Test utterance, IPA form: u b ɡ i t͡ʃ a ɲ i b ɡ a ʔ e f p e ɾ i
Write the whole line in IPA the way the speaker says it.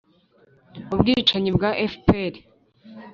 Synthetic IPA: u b ɡ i t͡ʃ a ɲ i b ɡ a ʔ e f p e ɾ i